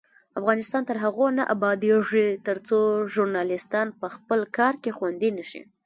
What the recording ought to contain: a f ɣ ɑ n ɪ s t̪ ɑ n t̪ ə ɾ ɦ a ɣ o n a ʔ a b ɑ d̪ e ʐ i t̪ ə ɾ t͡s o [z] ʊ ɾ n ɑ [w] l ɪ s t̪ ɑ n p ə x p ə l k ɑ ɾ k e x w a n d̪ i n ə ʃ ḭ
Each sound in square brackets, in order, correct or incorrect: incorrect, incorrect

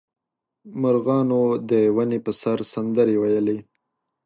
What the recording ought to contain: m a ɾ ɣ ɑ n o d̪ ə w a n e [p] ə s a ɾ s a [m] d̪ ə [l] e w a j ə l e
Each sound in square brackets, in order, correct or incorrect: correct, incorrect, incorrect

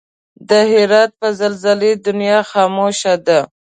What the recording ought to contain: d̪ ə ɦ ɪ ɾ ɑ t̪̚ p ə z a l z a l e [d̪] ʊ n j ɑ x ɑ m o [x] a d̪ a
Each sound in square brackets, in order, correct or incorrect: correct, incorrect

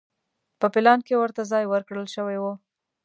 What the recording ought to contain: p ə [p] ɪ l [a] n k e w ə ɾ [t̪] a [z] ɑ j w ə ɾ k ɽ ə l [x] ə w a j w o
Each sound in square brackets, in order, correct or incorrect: correct, incorrect, correct, correct, incorrect

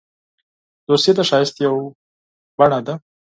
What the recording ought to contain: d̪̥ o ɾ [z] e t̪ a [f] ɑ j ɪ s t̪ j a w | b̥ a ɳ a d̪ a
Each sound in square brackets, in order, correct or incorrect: incorrect, incorrect

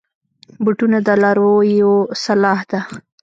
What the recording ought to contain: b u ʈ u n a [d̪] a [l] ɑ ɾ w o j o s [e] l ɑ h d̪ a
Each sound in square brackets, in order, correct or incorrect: correct, correct, incorrect

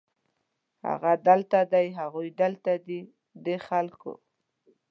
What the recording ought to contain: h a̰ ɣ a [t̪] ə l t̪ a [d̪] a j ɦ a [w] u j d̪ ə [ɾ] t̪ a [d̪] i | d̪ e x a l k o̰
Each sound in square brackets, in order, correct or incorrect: incorrect, correct, incorrect, incorrect, correct

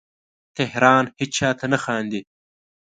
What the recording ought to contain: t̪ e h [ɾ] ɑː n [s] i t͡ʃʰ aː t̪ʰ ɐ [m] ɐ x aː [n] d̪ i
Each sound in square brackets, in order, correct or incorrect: correct, incorrect, incorrect, correct

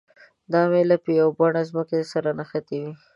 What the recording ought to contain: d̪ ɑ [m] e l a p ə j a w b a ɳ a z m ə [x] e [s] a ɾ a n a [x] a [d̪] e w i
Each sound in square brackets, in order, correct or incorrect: correct, incorrect, correct, correct, incorrect

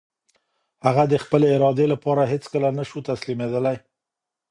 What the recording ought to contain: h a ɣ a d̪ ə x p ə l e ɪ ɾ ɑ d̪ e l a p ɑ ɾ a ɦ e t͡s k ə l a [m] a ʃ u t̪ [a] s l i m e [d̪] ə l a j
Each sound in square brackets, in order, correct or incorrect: incorrect, correct, correct

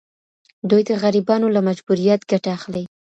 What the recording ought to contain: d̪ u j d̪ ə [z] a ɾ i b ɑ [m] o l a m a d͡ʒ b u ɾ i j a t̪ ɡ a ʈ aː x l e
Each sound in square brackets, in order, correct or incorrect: incorrect, incorrect

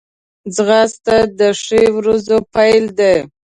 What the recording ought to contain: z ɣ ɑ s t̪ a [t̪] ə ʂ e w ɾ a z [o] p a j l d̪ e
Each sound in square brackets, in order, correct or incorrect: incorrect, correct

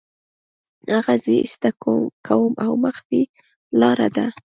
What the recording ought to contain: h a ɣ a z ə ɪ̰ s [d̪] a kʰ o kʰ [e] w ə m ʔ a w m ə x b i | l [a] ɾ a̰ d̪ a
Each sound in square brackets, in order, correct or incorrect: incorrect, incorrect, incorrect

